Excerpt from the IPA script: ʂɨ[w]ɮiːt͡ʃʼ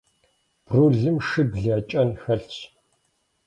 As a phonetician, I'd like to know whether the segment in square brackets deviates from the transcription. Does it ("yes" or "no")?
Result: yes